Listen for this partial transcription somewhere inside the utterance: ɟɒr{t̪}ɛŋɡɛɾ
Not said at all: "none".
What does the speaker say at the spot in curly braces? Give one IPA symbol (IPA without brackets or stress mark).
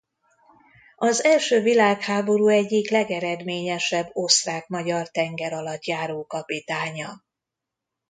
t̪